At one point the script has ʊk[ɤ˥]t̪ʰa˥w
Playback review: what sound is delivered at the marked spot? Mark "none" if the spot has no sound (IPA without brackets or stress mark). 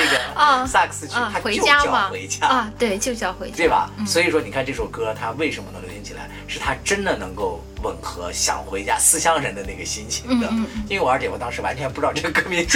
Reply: ɤ˥